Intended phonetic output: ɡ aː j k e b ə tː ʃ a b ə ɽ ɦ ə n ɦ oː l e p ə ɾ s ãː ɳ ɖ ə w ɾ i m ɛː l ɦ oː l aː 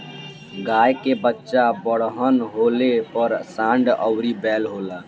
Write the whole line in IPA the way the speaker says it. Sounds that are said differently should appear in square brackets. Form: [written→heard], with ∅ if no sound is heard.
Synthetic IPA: ɡ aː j k e b ə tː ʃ a b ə ɽ ɦ ə n ɦ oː l e p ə ɾ s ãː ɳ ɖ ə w ɾ i [m→b] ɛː l ɦ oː l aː